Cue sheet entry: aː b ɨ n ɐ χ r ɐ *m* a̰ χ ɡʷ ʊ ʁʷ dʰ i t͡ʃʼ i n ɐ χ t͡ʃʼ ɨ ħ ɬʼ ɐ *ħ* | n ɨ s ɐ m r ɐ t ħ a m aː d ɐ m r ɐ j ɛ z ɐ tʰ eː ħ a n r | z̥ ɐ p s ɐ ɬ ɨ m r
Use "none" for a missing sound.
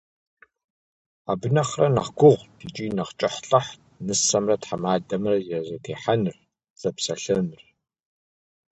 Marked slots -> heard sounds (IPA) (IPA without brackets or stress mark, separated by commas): n, ħ